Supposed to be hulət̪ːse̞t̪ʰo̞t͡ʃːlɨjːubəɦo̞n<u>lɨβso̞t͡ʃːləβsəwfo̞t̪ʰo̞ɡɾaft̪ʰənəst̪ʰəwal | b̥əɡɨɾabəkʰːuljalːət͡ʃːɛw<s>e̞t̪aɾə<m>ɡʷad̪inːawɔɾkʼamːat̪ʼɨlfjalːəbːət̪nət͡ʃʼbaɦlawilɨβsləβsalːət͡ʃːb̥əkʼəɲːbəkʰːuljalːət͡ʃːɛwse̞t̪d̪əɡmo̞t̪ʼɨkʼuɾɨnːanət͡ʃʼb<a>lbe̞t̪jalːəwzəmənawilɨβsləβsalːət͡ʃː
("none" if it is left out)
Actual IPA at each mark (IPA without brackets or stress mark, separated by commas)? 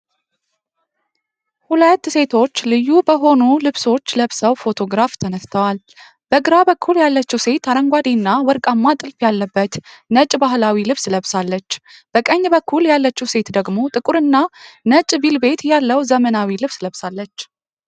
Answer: u, s, ŋ, i